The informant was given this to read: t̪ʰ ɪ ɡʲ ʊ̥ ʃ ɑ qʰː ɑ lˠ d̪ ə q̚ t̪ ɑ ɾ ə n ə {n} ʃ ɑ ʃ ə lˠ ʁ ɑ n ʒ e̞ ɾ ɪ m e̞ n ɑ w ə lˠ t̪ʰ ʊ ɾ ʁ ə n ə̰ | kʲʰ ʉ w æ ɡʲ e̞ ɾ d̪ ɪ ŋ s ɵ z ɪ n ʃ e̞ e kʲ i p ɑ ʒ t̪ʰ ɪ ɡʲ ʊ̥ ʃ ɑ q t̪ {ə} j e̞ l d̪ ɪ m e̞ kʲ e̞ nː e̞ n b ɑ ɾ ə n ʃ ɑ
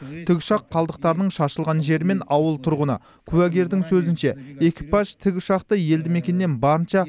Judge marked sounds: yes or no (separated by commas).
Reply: no, yes